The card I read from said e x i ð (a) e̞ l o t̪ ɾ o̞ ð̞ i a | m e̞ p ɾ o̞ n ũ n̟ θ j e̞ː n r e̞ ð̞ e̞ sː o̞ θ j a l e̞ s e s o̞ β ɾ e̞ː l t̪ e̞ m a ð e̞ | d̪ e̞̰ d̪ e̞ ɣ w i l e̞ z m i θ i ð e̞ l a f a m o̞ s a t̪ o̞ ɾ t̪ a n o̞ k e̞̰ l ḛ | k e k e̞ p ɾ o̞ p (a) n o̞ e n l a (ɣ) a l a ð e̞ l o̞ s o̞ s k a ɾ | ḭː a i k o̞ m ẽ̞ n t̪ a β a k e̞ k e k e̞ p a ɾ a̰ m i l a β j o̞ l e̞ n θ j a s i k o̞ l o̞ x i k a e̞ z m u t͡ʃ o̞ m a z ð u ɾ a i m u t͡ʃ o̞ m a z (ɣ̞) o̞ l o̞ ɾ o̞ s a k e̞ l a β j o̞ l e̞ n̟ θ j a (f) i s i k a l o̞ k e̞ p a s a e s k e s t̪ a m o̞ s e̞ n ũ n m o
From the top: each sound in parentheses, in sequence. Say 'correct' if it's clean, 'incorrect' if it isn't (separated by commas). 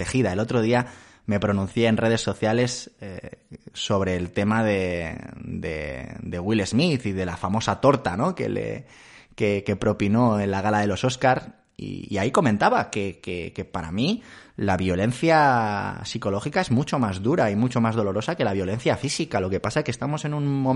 correct, incorrect, correct, incorrect, correct